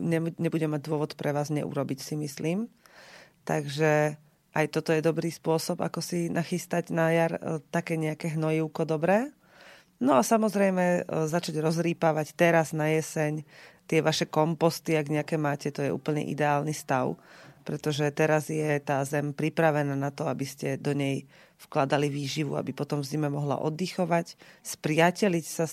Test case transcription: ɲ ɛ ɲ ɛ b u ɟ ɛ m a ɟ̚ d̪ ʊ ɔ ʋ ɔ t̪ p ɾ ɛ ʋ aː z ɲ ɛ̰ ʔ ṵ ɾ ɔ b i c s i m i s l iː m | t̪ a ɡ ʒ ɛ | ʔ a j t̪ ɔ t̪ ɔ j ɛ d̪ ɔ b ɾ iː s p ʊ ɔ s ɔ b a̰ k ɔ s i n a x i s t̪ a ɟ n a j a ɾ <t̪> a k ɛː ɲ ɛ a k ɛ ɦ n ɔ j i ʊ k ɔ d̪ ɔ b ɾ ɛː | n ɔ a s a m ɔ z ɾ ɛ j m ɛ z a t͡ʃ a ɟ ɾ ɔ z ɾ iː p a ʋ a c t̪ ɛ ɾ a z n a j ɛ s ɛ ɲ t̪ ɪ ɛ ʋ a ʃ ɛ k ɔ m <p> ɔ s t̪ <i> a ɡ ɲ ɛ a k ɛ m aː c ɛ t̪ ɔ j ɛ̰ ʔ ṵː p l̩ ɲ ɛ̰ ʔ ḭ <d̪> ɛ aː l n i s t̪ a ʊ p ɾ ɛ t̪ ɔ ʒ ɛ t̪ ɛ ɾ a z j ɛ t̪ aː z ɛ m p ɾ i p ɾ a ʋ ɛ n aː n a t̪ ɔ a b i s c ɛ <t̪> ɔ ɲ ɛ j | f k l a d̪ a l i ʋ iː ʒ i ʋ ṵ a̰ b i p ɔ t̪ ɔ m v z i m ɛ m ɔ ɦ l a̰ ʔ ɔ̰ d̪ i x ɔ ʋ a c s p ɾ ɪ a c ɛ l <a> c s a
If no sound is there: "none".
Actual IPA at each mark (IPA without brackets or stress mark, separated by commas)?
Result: t̪, p, i, d̪, d̪, i